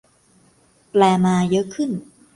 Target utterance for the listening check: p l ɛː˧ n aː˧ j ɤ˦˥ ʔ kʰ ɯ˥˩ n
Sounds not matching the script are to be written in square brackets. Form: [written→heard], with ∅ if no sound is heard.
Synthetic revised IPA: p l ɛː˧ [n→m] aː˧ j ɤ˦˥ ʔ kʰ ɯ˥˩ n